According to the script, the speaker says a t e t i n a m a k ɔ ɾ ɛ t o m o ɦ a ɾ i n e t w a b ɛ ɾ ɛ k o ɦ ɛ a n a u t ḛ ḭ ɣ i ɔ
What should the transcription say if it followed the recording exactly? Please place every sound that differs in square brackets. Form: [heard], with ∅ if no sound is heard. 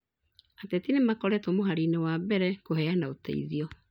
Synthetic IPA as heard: a t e t i n [e] m a k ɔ ɾ ɛ t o m o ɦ a ɾ i n e [∅] w a b ɛ ɾ ɛ k o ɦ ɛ a n a [o] t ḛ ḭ [ð] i ɔ